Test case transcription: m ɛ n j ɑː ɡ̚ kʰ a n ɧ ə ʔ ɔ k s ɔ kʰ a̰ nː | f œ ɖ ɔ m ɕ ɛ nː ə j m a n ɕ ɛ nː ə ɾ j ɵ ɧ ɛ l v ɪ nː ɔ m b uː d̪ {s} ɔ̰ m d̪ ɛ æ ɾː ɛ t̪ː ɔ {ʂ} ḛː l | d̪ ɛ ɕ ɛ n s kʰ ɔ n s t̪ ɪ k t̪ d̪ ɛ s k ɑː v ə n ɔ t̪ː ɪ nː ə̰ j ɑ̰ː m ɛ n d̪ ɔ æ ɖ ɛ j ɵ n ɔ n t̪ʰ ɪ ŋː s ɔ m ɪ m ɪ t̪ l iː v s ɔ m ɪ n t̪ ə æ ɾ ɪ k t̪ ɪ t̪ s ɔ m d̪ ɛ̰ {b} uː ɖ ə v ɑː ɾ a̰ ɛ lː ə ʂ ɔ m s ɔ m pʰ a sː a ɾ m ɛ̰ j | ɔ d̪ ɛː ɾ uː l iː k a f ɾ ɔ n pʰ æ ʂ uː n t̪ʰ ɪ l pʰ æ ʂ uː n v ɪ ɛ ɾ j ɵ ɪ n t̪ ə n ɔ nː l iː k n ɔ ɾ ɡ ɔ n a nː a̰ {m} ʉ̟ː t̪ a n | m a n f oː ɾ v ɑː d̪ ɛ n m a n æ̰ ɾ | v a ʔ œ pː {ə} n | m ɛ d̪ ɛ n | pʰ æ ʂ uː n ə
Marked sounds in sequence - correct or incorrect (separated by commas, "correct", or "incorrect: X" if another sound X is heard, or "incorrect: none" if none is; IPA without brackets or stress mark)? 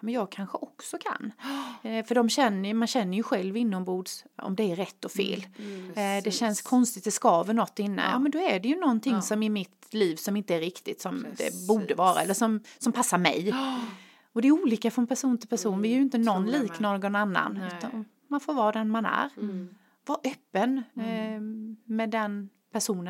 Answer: correct, incorrect: f, correct, incorrect: n, correct